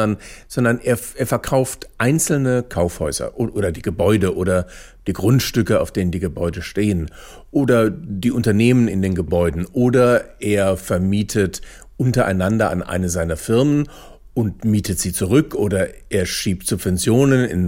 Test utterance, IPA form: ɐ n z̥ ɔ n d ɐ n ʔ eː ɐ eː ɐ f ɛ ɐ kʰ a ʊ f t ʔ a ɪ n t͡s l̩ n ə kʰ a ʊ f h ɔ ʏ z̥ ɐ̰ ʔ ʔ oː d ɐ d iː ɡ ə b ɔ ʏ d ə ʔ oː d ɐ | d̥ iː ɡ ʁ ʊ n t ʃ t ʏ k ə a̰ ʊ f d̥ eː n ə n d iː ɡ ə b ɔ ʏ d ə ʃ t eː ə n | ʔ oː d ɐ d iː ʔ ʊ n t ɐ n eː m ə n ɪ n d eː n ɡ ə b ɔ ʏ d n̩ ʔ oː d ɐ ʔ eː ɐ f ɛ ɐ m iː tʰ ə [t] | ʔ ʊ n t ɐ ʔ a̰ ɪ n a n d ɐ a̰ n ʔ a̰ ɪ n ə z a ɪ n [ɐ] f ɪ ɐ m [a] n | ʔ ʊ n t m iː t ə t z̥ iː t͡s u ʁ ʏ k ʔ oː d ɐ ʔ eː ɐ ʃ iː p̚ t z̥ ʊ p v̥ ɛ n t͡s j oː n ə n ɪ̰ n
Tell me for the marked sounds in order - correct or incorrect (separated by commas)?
correct, correct, incorrect